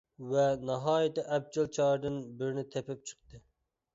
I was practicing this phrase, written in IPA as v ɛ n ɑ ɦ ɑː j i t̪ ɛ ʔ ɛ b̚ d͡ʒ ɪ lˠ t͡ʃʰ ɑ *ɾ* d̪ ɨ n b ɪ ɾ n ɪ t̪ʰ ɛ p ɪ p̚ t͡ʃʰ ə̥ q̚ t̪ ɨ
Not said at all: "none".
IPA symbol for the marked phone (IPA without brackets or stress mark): ɾ